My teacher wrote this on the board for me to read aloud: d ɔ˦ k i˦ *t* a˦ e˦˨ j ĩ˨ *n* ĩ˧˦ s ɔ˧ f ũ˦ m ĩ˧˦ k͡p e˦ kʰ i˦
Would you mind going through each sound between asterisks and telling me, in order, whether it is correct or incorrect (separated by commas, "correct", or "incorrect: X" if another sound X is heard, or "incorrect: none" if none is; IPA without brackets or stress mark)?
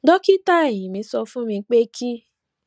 correct, incorrect: m